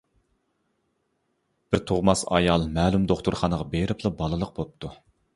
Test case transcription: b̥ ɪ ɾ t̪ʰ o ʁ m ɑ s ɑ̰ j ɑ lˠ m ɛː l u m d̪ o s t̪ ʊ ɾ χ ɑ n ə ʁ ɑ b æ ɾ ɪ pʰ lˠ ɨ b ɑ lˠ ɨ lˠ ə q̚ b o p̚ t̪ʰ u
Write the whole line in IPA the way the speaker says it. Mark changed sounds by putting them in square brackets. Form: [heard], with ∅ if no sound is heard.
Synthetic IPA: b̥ ɪ ɾ t̪ʰ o ʁ m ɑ s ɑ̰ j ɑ lˠ m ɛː l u m d̪ o [χ] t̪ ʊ ɾ χ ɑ n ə ʁ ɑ b [e] ɾ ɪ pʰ lˠ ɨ b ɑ lˠ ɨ lˠ ə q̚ b o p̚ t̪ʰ u